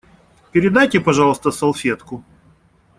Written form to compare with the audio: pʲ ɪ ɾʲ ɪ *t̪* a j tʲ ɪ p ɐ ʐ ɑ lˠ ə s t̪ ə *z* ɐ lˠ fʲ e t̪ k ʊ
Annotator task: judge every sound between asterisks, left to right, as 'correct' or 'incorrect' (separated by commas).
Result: incorrect, incorrect